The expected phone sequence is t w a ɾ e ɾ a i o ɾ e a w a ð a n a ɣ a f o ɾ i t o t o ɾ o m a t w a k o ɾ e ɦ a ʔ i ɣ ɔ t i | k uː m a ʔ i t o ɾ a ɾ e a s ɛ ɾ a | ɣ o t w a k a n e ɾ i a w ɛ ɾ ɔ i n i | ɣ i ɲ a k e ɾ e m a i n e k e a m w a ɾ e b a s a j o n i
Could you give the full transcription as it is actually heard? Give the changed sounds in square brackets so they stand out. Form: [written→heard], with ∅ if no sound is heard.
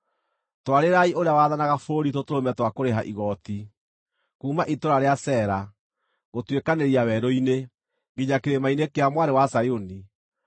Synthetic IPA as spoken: t w a ɾ e ɾ a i o ɾ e a w a ð a n a ɣ a f o ɾ i t o t o ɾ o m [a→ɛ] t w a k o ɾ e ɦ a ʔ i ɣ ɔ t i | k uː m a ʔ i t o ɾ a ɾ e a s ɛ ɾ a | ɣ o t w [a→e] k a n e ɾ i a w ɛ ɾ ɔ i n [i→e] | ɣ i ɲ a k e ɾ e m a i n e k e a m w a ɾ e [b→w] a s a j o n i

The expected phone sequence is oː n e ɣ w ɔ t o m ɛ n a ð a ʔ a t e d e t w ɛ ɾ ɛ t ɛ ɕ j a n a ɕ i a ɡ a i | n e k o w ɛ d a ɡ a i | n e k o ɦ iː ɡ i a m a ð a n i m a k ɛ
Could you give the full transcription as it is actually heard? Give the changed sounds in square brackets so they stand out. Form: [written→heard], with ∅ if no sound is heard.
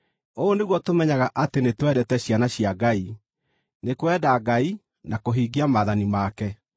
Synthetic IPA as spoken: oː n e ɣ w ɔ t o m ɛ [n→ɲ] a [ð→ɣ] a ʔ a t e [d→n] e t w ɛ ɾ ɛ t ɛ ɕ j a n a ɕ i a ɡ a i | n e k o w ɛ d a ɡ a i | n [e→a] k o ɦ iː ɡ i a m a ð a n i m a k ɛ

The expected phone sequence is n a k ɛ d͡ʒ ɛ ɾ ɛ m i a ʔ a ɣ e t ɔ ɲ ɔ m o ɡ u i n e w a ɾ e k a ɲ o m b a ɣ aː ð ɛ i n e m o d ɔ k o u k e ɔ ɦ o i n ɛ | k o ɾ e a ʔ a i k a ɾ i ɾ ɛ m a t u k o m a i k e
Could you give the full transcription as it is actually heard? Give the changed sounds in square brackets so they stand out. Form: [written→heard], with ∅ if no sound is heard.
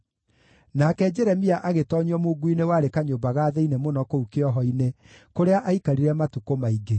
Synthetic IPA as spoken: n a k ɛ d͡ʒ ɛ ɾ ɛ m i a ʔ a ɣ e t ɔ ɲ ɔ m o ɡ u i n e w a ɾ e k a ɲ o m b a ɣ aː ð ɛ i n e m o [d→n] ɔ k o u k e ɔ ɦ [o→ɔ] i n [ɛ→e] | k o ɾ e a ʔ a i k a ɾ i ɾ ɛ m a t u k o m a i [k→ɡ] e

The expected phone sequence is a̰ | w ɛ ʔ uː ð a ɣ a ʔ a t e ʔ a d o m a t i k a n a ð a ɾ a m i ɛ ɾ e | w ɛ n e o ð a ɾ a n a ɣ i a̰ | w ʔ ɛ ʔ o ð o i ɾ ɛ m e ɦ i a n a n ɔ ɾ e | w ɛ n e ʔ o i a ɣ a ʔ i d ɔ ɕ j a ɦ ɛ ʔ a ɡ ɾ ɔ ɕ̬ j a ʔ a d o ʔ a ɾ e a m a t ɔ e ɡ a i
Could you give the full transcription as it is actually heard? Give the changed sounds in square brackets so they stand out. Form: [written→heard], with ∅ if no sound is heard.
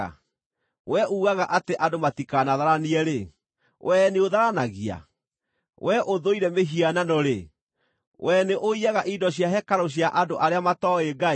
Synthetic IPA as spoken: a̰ | w ɛ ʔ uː [ð→ɣ] a ɣ a ʔ a t e ʔ a d o m a t i k a n a ð a ɾ a [m→n] i ɛ ɾ e | w ɛ n e o ð a ɾ a n a ɣ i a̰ | w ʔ ɛ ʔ o ð o i ɾ ɛ m e ɦ i a n a n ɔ ɾ e | w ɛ n e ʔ o i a ɣ a ʔ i d ɔ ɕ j a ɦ ɛ [ʔ→k] a [ɡ→∅] ɾ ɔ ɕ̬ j a ʔ a d o ʔ a ɾ e a m a t ɔ e ɡ a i

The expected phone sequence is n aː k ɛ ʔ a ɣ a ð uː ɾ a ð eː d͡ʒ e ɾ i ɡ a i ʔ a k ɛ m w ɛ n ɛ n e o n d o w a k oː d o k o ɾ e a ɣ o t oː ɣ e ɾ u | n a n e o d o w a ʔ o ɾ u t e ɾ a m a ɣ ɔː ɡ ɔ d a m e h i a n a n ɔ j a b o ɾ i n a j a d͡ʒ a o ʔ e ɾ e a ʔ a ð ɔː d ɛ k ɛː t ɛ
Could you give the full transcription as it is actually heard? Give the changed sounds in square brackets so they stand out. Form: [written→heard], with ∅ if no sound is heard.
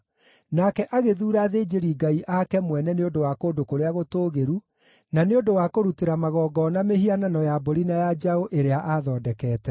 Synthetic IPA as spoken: n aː k ɛ ʔ a ɣ [a→e] ð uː ɾ a ð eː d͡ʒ e ɾ i ɡ a i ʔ a k ɛ m w ɛ n ɛ n e o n d o w a k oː d o k o ɾ e a ɣ o t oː ɣ e ɾ u | n a n e o d o w a [ʔ→k] o ɾ u t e ɾ a m a ɣ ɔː ɡ ɔ [d→n] a m e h i a n a n ɔ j a b o ɾ i n a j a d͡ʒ a o ʔ e ɾ e a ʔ a ð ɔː d ɛ k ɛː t ɛ

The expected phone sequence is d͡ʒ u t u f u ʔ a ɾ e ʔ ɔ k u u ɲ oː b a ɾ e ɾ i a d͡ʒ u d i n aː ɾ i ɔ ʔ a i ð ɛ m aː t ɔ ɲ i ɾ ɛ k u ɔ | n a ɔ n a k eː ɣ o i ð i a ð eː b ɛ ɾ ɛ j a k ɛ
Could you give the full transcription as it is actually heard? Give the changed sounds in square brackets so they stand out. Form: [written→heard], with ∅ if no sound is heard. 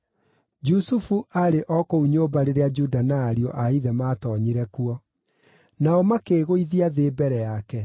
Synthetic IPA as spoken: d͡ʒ u [t→s] u f u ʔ a ɾ e ʔ ɔ k [u→o] u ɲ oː b a ɾ e ɾ [i→e] a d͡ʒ u d [i→a] n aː ɾ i ɔ ʔ a i ð ɛ m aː t ɔ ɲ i ɾ ɛ k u ɔ | n a ɔ [n→m] a k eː ɣ o i ð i a ð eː b ɛ ɾ ɛ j a k ɛ

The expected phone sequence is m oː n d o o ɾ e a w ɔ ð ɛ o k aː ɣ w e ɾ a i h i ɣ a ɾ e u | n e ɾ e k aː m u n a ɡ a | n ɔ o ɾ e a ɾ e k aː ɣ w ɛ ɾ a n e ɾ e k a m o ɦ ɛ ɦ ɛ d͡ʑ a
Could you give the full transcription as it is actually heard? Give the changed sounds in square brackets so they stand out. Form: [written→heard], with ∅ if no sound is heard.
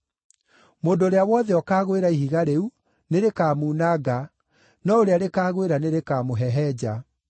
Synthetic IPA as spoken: m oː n d o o ɾ e a w ɔ ð ɛ [o→ɔ] k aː ɣ w e ɾ a i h i ɣ a ɾ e u | n e ɾ e k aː m u n a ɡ a | n ɔ o ɾ e a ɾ e k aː ɣ w [ɛ→e] ɾ a n e ɾ e k a m o ɦ ɛ ɦ ɛ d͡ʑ a

